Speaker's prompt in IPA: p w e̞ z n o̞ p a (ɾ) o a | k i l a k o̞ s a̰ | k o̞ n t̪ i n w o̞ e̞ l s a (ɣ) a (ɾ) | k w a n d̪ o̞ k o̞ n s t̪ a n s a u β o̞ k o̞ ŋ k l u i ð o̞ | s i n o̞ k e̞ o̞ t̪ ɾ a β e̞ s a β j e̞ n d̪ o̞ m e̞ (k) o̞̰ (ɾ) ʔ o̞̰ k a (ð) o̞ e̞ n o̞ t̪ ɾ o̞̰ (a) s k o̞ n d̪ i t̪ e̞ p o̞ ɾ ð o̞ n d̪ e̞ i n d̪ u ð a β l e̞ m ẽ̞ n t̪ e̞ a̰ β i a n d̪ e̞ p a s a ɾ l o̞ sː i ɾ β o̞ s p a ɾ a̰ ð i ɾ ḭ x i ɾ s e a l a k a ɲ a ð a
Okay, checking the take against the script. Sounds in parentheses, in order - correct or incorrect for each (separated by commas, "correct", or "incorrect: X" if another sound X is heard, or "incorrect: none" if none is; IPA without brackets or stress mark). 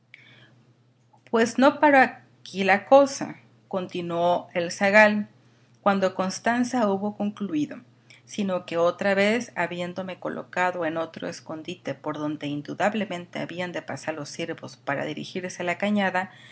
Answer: correct, correct, incorrect: l, correct, incorrect: l, correct, incorrect: e